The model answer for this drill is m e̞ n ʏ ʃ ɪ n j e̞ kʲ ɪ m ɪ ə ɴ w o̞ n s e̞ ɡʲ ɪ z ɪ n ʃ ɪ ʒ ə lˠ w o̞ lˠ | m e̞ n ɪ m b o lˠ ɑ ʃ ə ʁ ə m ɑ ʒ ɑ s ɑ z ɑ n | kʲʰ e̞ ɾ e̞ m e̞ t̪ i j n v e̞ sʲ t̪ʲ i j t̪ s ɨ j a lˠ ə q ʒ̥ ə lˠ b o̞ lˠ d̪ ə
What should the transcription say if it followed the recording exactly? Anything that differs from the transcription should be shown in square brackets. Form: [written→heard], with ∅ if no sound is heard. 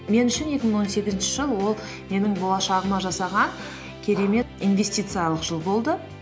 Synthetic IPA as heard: m e̞ n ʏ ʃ ɪ n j e̞ kʲ ɪ m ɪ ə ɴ w o̞ n s e̞ ɡʲ ɪ z ɪ n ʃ ɪ ʒ ə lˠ w o̞ lˠ | m e̞ n ɪ [m→ŋ] b o lˠ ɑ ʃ [ə→ɑ] ʁ ə m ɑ ʒ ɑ s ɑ [z→ʁ] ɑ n | kʲʰ e̞ ɾ e̞ m e̞ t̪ i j n v e̞ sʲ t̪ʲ i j t̪ s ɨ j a lˠ ə q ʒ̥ ə lˠ b o̞ lˠ d̪ ə